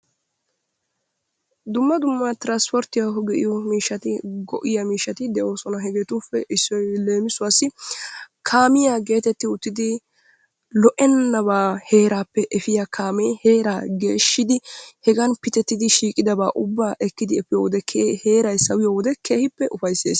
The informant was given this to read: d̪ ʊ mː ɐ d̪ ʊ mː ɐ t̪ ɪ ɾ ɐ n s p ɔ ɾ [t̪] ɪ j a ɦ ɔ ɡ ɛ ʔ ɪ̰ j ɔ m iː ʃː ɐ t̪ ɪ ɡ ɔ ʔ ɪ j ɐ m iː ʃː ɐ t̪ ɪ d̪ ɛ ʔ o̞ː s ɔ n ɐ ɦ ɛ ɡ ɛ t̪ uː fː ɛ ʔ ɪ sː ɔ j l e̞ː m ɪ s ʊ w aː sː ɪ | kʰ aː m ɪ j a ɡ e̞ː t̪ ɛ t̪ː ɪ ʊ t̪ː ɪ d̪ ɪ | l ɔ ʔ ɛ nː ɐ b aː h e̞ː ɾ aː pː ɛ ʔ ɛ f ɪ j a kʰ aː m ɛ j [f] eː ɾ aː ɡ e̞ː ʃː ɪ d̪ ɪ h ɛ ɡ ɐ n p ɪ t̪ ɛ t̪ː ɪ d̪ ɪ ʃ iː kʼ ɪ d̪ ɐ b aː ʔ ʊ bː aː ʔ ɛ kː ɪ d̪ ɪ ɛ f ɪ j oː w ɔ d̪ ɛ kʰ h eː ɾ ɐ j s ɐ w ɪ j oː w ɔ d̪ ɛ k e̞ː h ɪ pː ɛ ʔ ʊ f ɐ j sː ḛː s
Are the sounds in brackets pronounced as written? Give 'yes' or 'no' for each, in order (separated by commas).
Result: yes, no